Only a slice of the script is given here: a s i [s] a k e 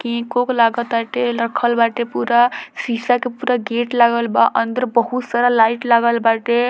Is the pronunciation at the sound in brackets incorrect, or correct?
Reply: correct